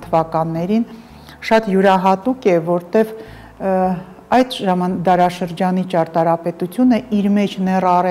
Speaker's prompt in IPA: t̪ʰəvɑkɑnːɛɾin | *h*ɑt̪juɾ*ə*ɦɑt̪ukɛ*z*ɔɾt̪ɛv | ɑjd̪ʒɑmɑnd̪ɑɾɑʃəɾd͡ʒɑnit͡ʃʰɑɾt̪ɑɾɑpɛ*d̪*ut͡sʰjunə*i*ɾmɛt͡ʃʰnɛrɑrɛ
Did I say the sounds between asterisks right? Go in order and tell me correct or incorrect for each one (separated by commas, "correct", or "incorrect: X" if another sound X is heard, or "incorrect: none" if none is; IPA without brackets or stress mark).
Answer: incorrect: ʃ, incorrect: ɑ, incorrect: v, incorrect: t̪, correct